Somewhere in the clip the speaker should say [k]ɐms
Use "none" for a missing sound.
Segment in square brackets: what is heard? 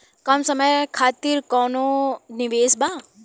k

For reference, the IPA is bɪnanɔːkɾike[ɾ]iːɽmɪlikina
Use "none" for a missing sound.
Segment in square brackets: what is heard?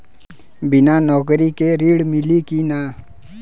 ɾ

